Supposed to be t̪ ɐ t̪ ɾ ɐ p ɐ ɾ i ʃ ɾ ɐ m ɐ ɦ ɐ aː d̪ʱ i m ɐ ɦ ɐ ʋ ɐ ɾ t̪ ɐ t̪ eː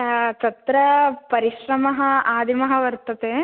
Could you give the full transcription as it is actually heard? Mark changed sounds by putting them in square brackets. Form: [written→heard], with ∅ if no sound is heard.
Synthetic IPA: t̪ ɐ t̪ ɾ ɐ p ɐ ɾ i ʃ ɾ ɐ m ɐ ɦ ɐ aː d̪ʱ i m ɐ ɦ ɐ ʋ ɐ ɾ t̪ ɐ t̪ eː